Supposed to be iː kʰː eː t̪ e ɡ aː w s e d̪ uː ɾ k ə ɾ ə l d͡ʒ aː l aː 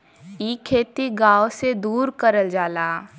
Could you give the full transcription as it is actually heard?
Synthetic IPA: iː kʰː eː t̪ i ɡ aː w s e d̪ uː ɾ k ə ɾ ə l d͡ʒ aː l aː